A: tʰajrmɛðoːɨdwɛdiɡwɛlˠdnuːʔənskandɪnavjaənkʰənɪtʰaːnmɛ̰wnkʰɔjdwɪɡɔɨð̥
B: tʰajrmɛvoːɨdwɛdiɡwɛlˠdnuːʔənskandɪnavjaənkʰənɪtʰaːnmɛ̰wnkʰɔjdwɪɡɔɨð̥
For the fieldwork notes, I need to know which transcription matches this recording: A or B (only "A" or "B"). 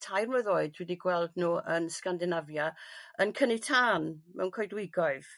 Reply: A